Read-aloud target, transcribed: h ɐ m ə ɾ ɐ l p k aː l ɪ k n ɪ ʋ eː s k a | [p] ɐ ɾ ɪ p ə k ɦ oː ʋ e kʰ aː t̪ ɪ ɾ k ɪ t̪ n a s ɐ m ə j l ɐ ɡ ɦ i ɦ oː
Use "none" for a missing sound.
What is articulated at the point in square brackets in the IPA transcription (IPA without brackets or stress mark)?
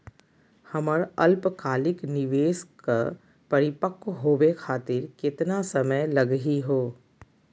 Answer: p